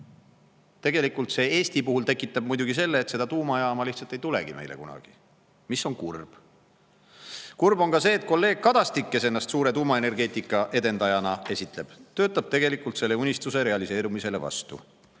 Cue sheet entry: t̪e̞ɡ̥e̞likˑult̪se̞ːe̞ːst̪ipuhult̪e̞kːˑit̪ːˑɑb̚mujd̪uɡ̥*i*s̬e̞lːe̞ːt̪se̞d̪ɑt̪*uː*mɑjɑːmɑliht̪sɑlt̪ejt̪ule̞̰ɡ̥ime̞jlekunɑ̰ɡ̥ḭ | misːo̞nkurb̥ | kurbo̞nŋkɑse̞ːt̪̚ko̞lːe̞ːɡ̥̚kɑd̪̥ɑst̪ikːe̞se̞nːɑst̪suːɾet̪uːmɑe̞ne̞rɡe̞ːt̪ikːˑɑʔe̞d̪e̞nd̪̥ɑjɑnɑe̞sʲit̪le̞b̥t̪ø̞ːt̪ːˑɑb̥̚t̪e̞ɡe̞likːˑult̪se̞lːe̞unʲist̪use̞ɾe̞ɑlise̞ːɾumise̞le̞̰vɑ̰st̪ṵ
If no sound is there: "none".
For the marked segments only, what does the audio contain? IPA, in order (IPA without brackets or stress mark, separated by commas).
i, uː